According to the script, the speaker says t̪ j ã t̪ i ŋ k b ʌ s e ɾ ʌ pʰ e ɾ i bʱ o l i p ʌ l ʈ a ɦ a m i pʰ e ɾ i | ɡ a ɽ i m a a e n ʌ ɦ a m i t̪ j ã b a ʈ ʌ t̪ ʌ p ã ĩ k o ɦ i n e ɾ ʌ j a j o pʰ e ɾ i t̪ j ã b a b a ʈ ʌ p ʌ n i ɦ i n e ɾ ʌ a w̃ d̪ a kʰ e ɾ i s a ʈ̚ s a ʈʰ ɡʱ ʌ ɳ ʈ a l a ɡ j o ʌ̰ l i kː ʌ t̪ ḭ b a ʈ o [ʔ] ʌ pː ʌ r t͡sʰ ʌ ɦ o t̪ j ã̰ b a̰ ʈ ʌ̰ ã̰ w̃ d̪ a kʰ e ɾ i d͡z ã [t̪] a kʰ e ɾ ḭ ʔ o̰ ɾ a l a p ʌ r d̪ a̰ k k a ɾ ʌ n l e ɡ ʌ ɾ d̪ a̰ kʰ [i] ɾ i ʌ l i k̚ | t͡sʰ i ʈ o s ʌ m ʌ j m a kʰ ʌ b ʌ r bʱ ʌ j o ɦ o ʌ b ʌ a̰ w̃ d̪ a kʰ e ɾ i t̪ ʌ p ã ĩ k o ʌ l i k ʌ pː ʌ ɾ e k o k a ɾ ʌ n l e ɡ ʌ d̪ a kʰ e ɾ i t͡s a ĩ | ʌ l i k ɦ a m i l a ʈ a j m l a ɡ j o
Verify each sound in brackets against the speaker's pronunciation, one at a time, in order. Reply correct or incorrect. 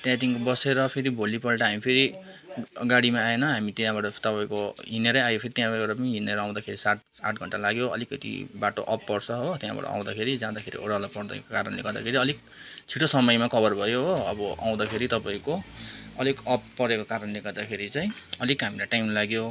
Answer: correct, incorrect, incorrect

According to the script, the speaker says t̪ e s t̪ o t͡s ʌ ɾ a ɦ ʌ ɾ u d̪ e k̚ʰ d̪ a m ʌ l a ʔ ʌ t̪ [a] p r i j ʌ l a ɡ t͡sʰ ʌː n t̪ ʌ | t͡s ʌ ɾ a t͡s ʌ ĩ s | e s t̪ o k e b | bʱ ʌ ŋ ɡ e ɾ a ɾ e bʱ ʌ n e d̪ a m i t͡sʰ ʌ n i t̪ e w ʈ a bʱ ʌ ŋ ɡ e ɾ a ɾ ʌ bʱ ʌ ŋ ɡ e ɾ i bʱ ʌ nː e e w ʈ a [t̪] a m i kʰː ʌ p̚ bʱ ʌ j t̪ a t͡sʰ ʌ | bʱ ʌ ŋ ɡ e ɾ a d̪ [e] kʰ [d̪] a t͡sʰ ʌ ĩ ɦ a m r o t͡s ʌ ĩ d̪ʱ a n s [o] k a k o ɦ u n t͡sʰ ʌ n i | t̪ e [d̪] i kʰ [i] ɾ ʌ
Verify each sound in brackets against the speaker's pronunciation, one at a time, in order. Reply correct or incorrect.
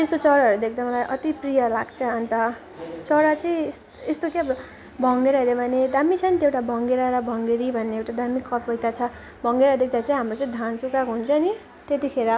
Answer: incorrect, incorrect, correct, correct, incorrect, incorrect, incorrect

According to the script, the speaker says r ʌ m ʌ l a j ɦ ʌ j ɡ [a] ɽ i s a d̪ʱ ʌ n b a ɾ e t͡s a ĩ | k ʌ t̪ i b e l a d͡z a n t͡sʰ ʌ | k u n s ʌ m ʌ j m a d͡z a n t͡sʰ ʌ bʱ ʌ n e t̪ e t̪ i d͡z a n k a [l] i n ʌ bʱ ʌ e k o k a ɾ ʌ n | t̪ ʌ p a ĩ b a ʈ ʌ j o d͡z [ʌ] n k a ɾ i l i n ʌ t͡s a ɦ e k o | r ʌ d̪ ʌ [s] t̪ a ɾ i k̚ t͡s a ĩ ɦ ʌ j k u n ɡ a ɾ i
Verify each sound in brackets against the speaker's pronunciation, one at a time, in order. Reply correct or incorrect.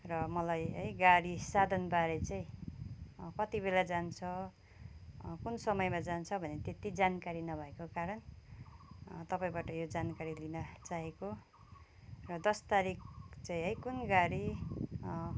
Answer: correct, incorrect, incorrect, correct

